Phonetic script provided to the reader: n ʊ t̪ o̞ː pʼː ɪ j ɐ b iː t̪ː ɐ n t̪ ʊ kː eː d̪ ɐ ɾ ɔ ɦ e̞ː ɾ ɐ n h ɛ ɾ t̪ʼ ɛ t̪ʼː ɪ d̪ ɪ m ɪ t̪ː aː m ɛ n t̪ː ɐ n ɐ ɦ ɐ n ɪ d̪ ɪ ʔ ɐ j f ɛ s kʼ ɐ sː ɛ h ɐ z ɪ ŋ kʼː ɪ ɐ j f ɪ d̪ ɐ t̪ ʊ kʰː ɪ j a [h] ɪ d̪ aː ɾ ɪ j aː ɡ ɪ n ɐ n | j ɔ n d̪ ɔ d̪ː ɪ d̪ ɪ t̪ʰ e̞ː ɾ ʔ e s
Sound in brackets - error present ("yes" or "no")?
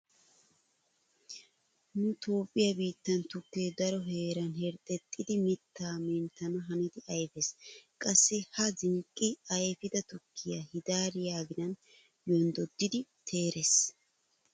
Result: no